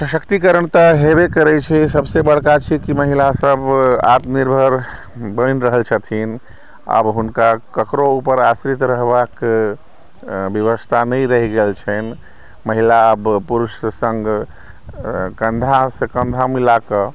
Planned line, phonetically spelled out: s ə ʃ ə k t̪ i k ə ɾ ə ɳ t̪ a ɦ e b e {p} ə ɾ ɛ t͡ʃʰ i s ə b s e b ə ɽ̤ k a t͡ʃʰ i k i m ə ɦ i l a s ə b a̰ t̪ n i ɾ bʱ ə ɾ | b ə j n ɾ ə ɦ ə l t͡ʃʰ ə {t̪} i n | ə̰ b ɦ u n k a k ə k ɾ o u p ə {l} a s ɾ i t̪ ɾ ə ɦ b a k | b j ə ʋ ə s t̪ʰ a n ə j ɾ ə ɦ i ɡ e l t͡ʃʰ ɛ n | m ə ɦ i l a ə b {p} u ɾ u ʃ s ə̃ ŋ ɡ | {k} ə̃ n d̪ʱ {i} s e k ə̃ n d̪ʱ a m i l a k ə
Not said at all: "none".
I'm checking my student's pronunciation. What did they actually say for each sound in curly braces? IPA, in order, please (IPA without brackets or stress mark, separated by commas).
k, t̪ʰ, ɾ, p, k, a